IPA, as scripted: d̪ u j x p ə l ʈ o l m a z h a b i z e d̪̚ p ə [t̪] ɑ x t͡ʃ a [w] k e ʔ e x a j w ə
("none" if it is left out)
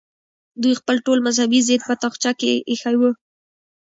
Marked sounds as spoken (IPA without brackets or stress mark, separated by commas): t̪, none